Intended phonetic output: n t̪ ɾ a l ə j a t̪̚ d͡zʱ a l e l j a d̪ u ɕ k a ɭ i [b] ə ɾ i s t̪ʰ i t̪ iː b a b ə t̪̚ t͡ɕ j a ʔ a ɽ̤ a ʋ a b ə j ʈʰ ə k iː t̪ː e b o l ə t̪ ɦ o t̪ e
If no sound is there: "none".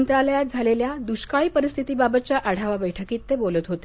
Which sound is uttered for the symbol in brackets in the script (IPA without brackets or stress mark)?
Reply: p